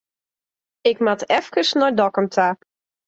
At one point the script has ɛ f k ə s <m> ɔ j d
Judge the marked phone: incorrect: n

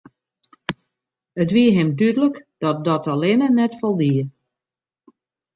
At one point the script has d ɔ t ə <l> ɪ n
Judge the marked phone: correct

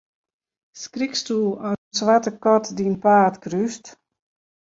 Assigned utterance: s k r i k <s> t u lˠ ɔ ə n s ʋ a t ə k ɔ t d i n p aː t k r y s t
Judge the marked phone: correct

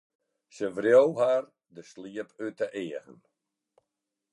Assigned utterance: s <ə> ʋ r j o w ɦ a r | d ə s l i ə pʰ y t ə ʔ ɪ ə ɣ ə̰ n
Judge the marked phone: correct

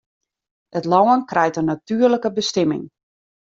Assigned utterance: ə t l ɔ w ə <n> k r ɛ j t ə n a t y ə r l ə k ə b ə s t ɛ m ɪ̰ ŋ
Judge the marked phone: correct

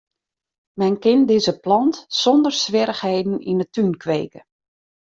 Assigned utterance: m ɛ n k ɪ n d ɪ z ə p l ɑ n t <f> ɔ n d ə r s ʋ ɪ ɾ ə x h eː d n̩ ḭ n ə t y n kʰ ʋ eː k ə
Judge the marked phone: incorrect: s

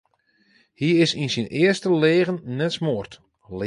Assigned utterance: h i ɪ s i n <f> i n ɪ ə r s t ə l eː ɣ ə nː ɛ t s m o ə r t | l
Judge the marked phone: incorrect: s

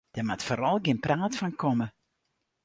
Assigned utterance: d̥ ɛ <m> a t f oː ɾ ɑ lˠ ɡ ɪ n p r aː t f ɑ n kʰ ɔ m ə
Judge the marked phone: correct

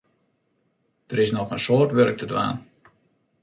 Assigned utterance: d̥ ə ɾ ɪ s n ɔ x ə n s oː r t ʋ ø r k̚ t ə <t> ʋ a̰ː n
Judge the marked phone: incorrect: d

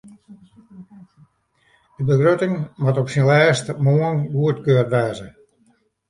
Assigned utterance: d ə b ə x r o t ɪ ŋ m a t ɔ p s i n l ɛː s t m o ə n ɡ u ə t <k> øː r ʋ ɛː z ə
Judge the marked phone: correct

